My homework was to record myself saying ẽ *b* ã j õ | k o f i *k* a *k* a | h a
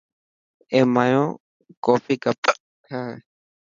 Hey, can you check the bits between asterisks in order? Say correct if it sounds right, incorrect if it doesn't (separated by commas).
incorrect, correct, incorrect